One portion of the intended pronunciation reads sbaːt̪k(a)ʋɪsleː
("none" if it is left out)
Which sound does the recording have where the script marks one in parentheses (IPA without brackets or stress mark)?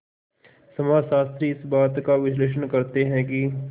a